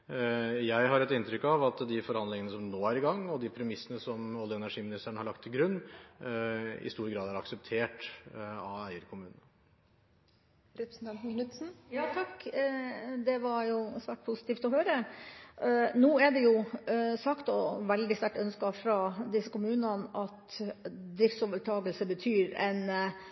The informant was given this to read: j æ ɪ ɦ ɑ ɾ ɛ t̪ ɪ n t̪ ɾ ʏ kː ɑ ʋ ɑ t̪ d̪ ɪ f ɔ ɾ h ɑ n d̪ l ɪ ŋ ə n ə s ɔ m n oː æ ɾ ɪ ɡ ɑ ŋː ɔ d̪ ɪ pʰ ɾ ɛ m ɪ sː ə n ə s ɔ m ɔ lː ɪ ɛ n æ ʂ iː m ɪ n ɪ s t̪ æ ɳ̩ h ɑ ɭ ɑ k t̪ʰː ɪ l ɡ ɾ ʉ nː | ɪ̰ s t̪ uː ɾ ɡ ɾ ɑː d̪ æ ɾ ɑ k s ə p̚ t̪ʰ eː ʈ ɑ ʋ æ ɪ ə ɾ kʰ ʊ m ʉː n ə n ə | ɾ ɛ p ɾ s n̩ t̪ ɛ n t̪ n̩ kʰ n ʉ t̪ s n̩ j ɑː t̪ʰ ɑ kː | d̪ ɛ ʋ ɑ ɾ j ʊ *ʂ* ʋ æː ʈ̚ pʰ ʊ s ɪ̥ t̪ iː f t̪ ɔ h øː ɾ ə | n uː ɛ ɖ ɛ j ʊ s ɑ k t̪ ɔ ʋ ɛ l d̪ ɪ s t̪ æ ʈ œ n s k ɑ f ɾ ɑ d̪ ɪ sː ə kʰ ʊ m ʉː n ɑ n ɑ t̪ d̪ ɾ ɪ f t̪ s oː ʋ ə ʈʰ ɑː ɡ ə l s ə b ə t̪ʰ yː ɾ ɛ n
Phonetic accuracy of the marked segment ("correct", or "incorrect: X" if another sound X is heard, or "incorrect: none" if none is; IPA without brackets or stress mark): incorrect: s